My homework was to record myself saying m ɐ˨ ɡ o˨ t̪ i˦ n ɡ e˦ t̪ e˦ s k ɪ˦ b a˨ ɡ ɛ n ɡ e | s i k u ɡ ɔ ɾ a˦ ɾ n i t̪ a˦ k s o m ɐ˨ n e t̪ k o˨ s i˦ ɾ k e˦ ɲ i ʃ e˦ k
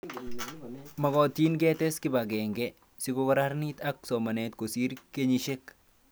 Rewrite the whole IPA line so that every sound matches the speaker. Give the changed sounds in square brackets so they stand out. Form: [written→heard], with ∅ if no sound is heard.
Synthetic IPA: m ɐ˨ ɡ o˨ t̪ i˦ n ɡ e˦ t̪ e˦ s k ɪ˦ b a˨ ɡ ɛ [n→ŋ] ɡ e | s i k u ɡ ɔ ɾ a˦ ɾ n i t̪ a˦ k s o m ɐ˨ n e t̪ k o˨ s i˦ ɾ k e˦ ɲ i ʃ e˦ k